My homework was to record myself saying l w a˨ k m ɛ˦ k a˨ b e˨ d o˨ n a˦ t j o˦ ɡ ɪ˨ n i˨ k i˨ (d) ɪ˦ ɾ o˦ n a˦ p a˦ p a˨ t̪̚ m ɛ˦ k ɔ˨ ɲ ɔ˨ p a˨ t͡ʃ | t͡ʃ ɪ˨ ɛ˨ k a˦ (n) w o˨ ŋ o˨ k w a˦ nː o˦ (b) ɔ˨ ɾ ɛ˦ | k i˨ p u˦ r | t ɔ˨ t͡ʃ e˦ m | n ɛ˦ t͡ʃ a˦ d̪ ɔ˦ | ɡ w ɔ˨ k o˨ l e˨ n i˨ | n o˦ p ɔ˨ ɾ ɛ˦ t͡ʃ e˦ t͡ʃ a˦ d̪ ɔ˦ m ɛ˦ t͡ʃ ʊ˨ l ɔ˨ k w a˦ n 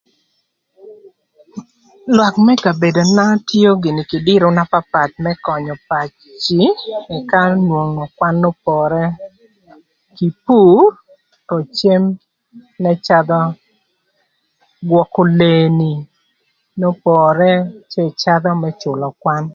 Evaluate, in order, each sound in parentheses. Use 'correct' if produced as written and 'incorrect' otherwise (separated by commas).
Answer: correct, correct, incorrect